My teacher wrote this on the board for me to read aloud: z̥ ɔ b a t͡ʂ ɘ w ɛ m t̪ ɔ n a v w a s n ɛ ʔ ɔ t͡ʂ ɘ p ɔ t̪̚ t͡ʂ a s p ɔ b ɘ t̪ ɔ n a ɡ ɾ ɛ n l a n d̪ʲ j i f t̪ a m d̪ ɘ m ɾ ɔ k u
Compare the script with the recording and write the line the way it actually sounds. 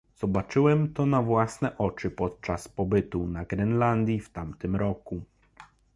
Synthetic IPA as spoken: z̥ ɔ b a t͡ʂ ɘ w ɛ m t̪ ɔ n a v w a s n ɛ ʔ ɔ t͡ʂ ɘ p ɔ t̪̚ t͡ʂ a s p ɔ b ɘ t̪ u n a ɡ ɾ ɛ n l a n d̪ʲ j i f t̪ a m t̪ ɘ m ɾ ɔ k u